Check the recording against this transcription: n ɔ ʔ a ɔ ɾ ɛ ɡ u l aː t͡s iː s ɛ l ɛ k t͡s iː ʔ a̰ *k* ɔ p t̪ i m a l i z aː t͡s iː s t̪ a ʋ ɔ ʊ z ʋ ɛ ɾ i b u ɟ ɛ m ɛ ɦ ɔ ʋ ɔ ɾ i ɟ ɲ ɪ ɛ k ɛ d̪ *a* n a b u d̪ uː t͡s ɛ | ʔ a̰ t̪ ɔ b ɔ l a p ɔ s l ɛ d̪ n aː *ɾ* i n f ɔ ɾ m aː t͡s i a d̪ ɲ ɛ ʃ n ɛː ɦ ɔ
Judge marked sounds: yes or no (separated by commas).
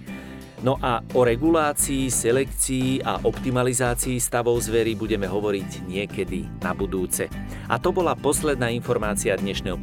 no, no, no